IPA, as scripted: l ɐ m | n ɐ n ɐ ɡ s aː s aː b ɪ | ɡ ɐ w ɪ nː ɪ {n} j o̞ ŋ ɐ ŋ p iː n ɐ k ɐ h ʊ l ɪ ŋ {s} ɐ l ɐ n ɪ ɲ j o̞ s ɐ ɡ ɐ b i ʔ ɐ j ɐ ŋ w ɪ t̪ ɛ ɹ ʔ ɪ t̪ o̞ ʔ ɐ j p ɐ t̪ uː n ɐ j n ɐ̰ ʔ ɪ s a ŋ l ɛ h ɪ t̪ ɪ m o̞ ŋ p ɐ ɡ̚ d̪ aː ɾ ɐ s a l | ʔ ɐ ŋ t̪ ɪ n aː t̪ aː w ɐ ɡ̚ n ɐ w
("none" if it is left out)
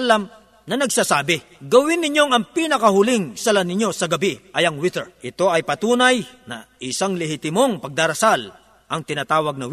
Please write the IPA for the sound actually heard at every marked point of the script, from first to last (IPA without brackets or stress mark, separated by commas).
ɲ, s